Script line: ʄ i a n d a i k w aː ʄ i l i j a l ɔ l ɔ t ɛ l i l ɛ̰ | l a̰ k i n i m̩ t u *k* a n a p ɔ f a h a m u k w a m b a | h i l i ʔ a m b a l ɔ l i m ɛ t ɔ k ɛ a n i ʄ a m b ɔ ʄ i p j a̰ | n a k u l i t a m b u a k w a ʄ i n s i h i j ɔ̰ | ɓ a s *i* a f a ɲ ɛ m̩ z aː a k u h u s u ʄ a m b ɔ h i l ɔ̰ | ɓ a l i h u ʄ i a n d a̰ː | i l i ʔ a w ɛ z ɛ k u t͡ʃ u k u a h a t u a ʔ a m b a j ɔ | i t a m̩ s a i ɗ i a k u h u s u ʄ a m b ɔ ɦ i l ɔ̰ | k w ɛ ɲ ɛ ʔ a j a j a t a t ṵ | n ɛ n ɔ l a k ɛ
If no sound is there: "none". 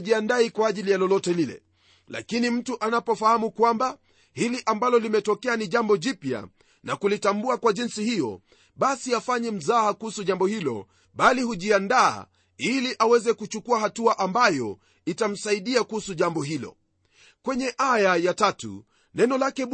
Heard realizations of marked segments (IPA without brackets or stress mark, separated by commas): ʔ, i